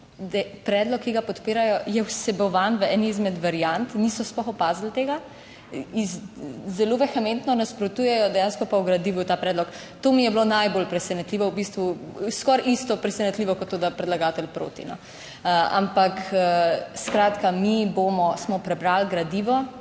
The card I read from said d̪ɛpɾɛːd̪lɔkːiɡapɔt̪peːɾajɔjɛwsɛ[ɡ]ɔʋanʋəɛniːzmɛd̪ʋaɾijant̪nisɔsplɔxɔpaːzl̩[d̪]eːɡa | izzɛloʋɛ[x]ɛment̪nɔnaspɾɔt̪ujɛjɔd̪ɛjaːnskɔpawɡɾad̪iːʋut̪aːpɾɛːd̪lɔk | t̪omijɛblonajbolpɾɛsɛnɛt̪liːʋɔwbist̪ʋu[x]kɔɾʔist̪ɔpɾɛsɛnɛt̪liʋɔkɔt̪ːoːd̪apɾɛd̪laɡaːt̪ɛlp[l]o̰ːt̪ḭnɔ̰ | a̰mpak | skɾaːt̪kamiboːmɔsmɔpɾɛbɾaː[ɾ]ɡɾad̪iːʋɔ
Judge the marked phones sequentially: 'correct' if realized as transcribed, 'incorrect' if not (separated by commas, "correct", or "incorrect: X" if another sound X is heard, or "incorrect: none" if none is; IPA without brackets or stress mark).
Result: incorrect: b, incorrect: t̪, correct, incorrect: s, incorrect: ɾ, incorrect: l